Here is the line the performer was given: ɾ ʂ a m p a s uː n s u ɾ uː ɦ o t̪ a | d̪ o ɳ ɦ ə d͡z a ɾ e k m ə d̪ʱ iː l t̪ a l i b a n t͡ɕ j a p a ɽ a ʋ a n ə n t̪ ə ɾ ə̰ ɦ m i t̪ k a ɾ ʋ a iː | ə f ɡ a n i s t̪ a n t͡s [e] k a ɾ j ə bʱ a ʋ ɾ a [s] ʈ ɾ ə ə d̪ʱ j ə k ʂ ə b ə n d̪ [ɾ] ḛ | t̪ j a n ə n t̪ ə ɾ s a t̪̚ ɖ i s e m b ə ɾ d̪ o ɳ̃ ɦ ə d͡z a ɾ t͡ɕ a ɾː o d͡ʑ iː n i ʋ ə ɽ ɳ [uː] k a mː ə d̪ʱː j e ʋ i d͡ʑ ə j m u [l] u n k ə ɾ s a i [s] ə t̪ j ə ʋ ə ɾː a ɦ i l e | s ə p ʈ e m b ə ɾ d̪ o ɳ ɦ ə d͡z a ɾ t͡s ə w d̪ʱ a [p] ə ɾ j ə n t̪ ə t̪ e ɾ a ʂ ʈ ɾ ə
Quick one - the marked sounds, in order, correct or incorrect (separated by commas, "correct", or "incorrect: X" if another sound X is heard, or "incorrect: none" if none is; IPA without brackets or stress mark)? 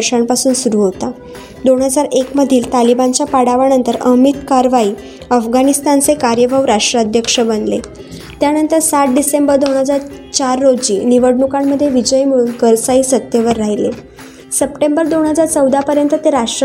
correct, incorrect: ʂ, incorrect: l, incorrect: u, incorrect: ɭ, correct, correct